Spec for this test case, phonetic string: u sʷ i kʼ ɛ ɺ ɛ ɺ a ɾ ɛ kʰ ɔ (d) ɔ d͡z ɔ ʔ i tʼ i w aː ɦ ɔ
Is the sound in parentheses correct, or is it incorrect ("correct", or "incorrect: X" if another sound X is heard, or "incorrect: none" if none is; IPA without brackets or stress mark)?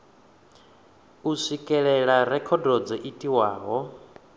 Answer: correct